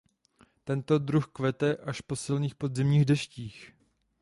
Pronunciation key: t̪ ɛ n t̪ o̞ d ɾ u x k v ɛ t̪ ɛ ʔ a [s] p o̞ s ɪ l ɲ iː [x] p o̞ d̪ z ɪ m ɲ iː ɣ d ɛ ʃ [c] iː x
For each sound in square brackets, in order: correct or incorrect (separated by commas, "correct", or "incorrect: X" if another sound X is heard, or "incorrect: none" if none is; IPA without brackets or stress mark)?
incorrect: ʃ, correct, correct